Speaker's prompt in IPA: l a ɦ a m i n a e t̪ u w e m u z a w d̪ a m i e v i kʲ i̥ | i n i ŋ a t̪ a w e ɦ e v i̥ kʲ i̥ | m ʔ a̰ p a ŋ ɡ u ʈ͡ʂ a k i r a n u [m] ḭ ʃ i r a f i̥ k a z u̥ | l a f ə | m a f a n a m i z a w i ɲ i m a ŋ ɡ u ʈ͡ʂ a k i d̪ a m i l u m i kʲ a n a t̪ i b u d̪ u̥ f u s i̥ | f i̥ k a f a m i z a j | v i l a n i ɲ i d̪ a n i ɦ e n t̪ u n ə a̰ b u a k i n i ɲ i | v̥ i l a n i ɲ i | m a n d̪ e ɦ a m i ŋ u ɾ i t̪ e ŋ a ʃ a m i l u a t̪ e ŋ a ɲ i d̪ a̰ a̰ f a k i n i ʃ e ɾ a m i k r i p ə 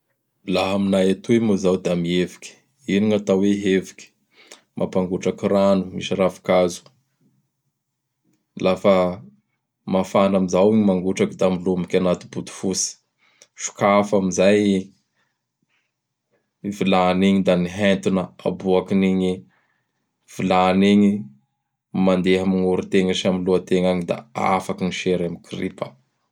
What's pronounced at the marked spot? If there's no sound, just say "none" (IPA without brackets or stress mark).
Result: m